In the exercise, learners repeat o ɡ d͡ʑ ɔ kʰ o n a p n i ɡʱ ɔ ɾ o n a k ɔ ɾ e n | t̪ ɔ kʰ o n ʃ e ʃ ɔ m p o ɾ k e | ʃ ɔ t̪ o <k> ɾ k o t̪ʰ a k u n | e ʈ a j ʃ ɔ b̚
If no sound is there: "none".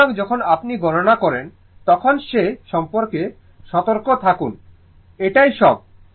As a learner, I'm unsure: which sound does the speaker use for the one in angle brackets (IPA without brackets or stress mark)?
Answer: none